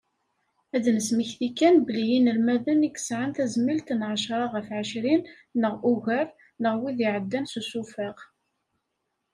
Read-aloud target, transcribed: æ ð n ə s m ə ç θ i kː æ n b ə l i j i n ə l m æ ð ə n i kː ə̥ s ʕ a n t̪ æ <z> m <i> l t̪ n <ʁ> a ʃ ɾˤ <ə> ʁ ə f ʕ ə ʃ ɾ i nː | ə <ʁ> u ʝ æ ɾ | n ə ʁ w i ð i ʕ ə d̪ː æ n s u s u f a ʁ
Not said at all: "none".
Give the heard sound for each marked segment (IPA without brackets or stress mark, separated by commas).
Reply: z, i, ʕ, ɑ, ʁ